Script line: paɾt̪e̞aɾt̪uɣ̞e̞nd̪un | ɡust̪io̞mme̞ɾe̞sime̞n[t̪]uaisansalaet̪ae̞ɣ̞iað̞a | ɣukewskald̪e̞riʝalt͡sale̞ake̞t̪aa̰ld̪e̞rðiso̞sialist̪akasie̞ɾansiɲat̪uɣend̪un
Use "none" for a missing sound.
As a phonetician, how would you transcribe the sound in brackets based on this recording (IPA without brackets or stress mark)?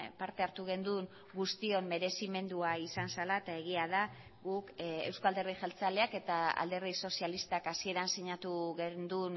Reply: d̪